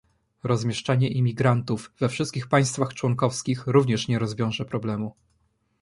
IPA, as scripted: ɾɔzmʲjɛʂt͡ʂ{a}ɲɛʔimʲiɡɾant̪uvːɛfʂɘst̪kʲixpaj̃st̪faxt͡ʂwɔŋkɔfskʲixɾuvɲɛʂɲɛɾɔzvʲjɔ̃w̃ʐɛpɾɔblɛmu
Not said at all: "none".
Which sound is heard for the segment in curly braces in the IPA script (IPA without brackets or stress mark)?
a